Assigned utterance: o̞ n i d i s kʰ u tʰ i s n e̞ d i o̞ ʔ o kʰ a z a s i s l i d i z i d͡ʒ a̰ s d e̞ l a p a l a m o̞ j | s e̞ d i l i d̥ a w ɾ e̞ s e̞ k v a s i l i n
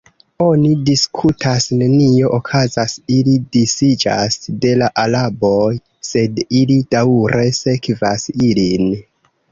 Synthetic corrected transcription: o̞ n i d i s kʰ u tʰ a s n e̞ n i o̞ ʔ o kʰ a z a s i l i d i s i d͡ʒ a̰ s d e̞ l a ʔ a l a b o̞ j | s e̞ d i l i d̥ a w ɾ e̞ s e̞ k v a s i l i n